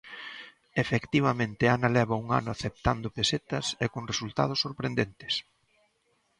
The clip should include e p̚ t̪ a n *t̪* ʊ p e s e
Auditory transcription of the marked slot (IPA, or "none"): d̪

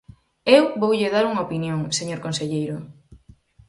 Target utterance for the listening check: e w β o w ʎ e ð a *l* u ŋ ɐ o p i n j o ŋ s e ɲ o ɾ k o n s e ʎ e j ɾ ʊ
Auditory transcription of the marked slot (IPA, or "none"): ɾ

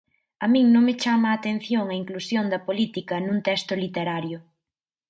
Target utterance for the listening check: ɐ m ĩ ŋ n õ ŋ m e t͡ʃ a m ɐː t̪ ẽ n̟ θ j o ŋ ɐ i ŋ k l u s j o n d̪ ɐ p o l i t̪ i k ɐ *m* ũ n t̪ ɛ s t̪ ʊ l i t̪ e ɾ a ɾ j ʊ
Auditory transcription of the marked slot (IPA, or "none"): n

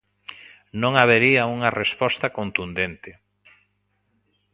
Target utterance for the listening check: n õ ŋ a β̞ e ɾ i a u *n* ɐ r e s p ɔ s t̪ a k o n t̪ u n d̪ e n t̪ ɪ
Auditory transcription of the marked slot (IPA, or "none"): ŋ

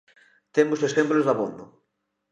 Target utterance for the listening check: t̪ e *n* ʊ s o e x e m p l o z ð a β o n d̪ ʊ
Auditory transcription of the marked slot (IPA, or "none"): m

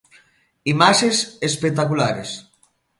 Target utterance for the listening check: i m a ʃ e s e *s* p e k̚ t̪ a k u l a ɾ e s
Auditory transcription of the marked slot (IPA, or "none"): s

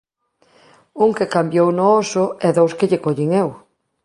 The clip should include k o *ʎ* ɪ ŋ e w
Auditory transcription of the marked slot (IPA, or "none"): ʎ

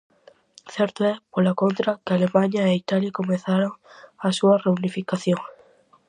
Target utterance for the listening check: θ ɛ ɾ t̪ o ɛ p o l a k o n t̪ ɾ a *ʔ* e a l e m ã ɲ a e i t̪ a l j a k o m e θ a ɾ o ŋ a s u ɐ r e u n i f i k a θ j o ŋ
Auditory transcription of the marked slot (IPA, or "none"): k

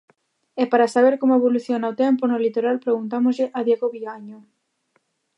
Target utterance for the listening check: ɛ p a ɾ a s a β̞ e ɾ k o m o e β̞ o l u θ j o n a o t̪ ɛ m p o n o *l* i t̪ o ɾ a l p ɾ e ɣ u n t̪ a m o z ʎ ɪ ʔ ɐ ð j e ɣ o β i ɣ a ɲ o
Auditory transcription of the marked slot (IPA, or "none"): l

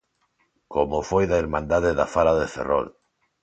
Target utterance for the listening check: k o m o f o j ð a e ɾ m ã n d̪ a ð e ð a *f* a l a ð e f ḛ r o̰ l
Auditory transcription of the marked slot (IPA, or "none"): f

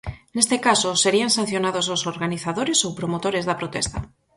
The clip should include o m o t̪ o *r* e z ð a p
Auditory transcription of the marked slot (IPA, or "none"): ɾ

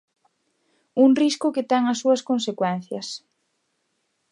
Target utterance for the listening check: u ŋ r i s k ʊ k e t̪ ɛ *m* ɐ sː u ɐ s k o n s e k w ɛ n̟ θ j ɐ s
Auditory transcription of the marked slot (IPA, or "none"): ŋ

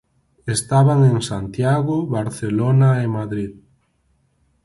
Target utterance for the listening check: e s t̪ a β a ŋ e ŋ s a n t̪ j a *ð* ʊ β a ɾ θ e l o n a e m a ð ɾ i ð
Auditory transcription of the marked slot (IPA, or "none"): ɣ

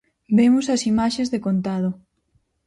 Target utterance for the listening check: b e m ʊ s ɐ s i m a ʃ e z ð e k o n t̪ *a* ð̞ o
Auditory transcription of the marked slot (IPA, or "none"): a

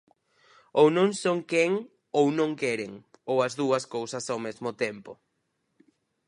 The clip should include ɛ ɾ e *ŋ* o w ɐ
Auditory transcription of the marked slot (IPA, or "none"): ŋ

